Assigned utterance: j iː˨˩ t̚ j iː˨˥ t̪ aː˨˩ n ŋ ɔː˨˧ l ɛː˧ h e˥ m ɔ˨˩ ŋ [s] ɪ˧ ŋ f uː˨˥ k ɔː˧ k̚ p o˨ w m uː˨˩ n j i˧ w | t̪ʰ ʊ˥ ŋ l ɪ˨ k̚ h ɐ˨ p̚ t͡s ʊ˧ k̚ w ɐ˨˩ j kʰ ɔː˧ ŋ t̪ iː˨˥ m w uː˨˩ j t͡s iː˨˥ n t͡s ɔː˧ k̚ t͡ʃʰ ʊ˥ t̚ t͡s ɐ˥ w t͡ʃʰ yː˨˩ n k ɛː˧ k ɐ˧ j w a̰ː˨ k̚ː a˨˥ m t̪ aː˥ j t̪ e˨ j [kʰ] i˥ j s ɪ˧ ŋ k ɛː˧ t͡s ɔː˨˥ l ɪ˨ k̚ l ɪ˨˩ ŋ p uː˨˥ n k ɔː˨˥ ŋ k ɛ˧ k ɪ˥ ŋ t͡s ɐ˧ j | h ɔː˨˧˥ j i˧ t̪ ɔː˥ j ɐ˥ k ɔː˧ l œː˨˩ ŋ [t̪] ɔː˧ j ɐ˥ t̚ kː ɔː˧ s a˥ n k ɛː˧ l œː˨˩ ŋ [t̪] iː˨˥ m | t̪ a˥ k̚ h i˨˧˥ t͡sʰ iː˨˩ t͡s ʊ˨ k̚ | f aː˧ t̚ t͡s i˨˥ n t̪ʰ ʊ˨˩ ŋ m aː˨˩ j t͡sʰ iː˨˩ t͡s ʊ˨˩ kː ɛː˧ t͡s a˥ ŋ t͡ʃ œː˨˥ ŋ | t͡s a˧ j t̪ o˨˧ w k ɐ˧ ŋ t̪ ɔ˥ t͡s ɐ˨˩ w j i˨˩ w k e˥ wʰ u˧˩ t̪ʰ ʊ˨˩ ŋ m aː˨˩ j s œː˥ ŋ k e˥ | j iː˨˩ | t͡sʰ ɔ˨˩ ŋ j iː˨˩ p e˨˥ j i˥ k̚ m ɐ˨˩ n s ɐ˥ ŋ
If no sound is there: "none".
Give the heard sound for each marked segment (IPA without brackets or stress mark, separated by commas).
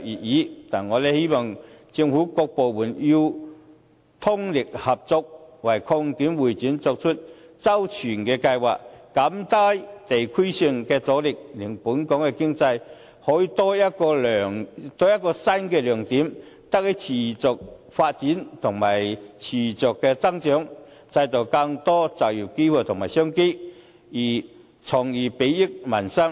t͡s, kʰ, t̪, t̪